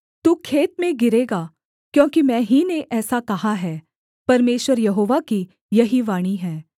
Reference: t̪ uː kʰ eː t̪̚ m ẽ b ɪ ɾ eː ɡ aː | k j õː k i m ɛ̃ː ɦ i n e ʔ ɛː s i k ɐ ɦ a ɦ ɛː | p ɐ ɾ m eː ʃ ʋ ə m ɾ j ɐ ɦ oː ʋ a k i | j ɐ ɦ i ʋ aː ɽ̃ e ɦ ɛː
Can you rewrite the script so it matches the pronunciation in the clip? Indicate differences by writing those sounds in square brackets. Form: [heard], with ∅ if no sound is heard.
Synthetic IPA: t̪ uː kʰ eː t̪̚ m ẽ [ɡ] ɪ ɾ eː ɡ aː | k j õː k i m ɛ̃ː ɦ i n e ʔ ɛː s [a] k ɐ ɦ a ɦ ɛː | p ɐ ɾ m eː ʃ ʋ ə [∅] ɾ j ɐ ɦ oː ʋ a k i | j ɐ ɦ i ʋ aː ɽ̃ [i] ɦ ɛː